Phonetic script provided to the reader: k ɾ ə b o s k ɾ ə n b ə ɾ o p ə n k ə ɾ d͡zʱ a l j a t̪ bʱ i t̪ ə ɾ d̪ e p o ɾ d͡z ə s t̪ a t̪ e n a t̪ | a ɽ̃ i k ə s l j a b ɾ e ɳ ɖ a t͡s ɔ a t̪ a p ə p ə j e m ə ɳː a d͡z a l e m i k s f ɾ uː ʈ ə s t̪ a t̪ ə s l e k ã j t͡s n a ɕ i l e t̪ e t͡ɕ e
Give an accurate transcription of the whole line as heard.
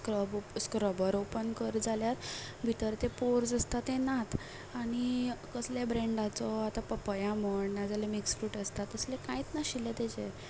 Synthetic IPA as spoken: k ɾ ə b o s k ɾ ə b ə ɾ o p ə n k ə ɾ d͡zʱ a l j a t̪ bʱ i t̪ ə ɾ t̪ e p o ɾ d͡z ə s t̪ a t̪ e n a t̪ | a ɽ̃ i k ə s l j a b ɾ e ɳ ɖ a t͡s ɔ a t̪ a p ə p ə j a m ə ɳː a d͡z a l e m i k s f ɾ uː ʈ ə s t̪ a t̪ ə s l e k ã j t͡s n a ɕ i l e t̪ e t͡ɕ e

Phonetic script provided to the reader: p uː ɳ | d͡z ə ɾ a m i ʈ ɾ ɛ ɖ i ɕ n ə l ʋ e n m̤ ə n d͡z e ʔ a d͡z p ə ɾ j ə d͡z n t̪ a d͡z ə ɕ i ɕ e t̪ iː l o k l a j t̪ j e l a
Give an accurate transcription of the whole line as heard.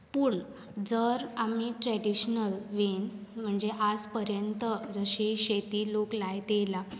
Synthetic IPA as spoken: p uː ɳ | d͡z ə ɾ a m i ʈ ɾ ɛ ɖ i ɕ n ə l ʋ e n m̤ ə ɳ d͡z e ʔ a d͡z p ə ɾ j ə n t̪ ə d͡z ə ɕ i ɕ e t̪ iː l o k l a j t̪ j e l a

